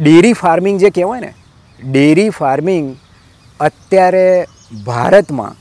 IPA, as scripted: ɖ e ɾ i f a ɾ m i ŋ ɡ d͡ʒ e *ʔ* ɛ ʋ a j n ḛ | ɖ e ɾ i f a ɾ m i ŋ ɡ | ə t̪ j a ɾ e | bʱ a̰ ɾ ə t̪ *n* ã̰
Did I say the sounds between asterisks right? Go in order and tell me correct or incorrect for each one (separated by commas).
incorrect, incorrect